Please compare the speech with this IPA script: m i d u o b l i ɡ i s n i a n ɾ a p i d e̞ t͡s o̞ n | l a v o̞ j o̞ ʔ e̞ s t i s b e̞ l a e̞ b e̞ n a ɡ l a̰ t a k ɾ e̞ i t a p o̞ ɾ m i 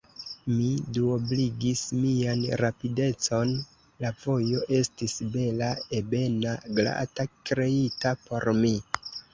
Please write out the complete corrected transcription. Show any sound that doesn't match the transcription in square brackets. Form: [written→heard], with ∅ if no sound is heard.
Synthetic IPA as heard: m i d u o b l i ɡ i s [n→m] i a n ɾ a p i d e̞ t͡s o̞ n | l a v o̞ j o̞ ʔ e̞ s t i s b e̞ l a e̞ b e̞ n a ɡ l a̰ t a k ɾ e̞ i t a p o̞ ɾ m i